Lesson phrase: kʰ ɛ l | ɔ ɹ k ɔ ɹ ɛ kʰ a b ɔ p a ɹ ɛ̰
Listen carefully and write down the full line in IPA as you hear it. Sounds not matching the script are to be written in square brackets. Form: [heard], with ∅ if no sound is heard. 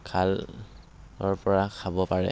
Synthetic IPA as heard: kʰ [a] l | ɔ ɹ [p] ɔ ɹ [a] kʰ a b ɔ p a ɹ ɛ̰